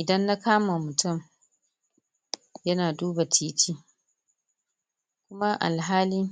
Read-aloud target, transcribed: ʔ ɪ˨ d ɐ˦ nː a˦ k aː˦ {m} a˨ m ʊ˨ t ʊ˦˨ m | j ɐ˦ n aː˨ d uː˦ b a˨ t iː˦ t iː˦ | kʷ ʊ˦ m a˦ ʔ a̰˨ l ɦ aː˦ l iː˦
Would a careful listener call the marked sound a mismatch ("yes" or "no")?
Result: no